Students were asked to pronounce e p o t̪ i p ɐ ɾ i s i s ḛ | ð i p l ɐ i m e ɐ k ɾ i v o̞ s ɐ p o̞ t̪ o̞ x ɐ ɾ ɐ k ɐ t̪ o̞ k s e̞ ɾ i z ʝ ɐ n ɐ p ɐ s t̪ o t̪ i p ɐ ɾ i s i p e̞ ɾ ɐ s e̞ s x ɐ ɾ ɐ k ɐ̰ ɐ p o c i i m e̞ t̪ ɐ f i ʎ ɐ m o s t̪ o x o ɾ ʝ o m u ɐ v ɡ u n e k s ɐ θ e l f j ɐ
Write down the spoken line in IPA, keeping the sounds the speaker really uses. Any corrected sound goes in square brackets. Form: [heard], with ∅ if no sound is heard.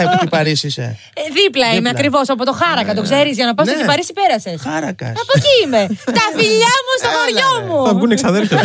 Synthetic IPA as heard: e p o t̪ i p ɐ ɾ i s i s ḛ | ð i p l ɐ i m e ɐ k ɾ i v o̞ s ɐ p o̞ t̪ o̞ x ɐ ɾ ɐ k ɐ t̪ o̞ k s e̞ ɾ i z ʝ ɐ n ɐ p ɐ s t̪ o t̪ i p ɐ ɾ i s i p e̞ ɾ ɐ s e̞ s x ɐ ɾ ɐ k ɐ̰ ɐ p o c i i m e̞ t̪ ɐ f i ʎ ɐ m [u] s t̪ o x o ɾ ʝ o m u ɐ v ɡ u n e k s ɐ [ð] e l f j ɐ